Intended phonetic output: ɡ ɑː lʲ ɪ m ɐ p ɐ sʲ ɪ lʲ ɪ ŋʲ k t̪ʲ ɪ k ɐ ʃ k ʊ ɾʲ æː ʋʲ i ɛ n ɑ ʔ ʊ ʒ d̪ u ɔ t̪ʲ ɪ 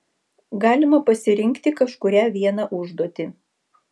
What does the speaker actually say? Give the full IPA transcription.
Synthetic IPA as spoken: ɡ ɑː lʲ ɪ m ɐ p ɐ sʲ ɪ ɾʲ ɪ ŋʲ k t̪ʲ ɪ k ɐ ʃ k ʊ ɾʲ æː ʋʲ i ɛ n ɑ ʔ ʊ ʒ d̪ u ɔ t̪ʲ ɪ